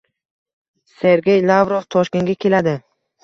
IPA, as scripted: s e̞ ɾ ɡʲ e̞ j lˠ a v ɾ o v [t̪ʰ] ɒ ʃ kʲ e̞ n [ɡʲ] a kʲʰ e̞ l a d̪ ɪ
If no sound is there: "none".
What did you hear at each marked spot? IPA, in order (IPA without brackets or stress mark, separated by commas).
t̪ʰ, ɡʲ